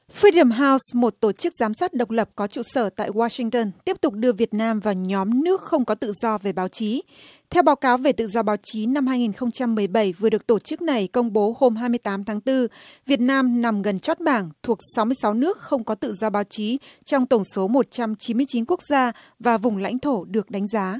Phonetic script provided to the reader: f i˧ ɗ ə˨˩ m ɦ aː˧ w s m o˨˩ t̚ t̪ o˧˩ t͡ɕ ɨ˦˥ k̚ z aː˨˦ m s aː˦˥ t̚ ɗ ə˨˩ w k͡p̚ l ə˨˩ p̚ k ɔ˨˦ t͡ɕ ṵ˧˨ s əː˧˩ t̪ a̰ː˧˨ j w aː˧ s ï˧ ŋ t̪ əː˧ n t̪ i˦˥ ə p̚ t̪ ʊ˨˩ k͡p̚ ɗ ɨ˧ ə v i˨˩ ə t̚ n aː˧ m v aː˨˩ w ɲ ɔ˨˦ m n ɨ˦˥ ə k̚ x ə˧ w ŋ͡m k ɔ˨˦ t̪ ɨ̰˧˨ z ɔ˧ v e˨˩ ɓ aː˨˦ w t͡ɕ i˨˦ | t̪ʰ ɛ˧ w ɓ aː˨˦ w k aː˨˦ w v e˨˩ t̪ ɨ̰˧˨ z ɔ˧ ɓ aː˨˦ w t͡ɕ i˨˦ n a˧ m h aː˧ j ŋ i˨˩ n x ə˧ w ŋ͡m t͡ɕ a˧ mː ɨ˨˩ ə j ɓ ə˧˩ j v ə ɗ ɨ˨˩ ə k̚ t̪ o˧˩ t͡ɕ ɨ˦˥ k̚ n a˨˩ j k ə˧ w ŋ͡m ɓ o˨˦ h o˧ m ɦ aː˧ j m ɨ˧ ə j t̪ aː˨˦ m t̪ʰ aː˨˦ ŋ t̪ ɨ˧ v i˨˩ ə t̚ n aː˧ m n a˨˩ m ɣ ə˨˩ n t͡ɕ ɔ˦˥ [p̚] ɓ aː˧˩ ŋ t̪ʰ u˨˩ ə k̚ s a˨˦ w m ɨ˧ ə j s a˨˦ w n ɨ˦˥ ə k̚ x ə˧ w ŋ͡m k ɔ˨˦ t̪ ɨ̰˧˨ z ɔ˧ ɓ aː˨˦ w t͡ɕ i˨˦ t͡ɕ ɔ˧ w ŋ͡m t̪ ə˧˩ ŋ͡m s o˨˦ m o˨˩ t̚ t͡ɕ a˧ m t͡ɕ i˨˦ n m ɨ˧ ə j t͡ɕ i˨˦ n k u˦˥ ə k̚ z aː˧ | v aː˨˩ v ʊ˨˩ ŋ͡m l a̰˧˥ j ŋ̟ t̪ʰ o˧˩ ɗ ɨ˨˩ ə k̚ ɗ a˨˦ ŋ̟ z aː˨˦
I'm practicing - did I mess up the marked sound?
yes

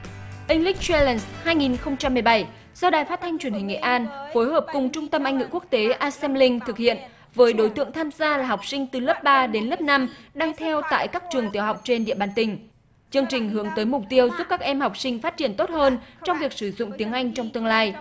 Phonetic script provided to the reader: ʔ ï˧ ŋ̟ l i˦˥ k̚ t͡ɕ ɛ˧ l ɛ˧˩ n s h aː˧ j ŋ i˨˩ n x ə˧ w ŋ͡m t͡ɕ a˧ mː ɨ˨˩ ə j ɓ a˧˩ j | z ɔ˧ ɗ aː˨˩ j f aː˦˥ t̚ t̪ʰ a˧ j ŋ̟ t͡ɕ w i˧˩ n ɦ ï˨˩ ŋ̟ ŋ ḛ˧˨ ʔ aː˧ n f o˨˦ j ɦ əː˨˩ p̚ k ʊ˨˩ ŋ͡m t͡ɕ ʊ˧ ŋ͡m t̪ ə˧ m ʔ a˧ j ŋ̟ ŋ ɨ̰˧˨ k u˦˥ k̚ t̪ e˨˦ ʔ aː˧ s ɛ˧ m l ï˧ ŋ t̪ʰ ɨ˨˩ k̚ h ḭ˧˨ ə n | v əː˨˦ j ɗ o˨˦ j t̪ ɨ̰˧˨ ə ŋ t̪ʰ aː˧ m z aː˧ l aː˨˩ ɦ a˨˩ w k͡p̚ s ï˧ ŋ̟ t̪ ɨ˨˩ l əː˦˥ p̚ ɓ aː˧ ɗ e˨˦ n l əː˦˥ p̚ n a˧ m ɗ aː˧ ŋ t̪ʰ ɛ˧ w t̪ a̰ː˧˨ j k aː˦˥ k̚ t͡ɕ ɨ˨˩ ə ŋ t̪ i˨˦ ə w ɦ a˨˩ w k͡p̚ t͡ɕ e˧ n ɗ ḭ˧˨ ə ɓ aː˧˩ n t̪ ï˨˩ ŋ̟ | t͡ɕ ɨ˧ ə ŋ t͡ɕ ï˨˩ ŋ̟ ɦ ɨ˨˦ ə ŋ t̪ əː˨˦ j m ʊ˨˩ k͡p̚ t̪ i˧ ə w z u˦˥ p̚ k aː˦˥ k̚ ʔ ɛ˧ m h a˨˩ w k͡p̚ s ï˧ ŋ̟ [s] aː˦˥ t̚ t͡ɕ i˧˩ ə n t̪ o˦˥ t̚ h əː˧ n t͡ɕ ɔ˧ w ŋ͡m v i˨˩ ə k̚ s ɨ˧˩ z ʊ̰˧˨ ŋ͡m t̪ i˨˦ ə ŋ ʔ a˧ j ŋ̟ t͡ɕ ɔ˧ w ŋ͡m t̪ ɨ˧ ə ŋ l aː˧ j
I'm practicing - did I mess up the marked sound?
yes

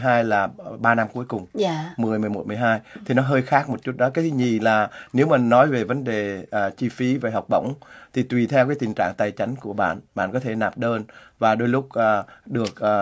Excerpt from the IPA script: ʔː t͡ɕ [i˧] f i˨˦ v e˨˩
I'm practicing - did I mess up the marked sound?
no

